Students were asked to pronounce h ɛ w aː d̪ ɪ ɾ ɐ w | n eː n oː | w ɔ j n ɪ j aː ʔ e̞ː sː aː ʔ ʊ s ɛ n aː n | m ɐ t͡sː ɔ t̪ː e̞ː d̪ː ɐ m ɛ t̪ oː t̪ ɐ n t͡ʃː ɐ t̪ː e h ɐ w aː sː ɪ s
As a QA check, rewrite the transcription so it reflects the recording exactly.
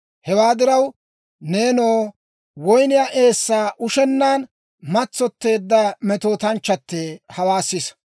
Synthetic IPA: h ɛ w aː d̪ ɪ ɾ ɐ w | n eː n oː | w ɔ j n ɪ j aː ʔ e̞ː sː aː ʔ ʊ ʃ ɛ nː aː n | m ɐ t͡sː ɔ t̪ː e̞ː d̪ː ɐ m ɛ t̪ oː t̪ ɐ n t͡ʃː ɐ t̪ː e h ɐ w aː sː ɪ s